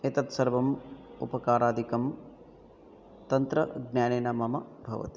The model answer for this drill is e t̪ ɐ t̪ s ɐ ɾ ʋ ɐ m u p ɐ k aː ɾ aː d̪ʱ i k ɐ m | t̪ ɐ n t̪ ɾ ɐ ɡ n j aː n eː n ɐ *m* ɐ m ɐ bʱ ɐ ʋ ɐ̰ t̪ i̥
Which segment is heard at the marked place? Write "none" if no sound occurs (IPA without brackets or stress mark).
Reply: m